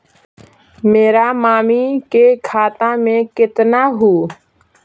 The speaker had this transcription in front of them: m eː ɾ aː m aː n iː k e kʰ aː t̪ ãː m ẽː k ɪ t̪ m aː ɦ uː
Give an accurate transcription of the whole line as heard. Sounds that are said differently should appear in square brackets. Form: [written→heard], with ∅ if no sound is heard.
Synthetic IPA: m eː ɾ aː m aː [n→m] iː k e kʰ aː t̪ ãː m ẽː k ɪ t̪ [m→n] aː ɦ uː